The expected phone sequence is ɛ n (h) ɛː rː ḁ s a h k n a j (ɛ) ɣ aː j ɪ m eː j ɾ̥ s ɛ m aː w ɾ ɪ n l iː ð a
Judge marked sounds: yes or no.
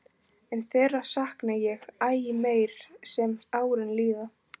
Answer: no, yes

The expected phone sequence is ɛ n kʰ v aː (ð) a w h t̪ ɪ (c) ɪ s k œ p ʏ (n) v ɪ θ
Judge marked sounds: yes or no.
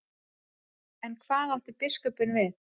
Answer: yes, no, yes

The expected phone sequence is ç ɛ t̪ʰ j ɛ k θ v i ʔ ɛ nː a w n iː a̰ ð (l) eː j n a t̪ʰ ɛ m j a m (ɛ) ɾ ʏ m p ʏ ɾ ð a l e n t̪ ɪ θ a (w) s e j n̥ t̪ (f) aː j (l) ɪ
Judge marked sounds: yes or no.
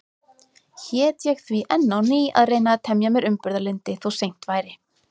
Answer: no, yes, yes, no, no

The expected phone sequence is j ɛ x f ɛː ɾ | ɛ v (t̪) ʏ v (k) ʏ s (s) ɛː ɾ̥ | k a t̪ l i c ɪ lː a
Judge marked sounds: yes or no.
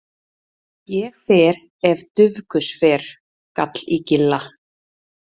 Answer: yes, yes, no

